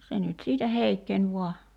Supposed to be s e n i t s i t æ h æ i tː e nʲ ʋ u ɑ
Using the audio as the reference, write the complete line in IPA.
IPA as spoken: s e n y t s iː t æ h e i kː e nʲ ʋ u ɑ